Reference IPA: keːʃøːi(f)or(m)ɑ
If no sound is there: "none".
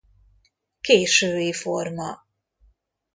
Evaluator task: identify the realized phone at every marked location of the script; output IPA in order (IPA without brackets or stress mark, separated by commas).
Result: f, m